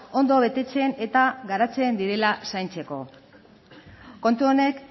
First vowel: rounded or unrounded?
rounded